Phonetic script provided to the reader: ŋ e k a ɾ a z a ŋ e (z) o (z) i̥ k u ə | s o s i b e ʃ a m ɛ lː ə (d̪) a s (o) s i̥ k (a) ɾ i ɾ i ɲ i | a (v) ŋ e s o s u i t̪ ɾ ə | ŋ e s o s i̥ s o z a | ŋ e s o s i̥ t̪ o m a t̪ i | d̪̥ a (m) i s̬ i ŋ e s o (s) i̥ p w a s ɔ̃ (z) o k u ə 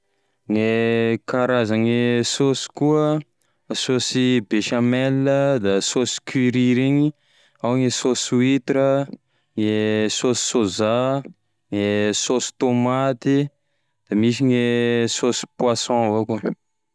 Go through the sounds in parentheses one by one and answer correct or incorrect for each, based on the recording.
incorrect, incorrect, correct, correct, incorrect, incorrect, correct, correct, incorrect

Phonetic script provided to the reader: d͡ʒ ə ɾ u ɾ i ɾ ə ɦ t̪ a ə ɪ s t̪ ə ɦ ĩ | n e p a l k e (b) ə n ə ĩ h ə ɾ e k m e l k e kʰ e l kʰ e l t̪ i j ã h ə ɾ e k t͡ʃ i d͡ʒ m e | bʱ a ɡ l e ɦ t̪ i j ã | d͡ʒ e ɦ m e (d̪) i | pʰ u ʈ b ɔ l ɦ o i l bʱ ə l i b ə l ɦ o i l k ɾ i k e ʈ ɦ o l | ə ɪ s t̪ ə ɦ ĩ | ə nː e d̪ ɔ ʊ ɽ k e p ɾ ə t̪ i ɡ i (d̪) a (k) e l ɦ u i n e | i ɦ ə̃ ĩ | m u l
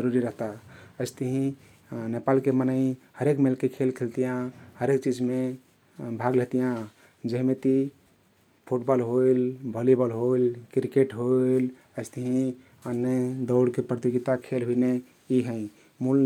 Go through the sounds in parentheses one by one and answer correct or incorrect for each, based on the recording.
incorrect, incorrect, incorrect, incorrect

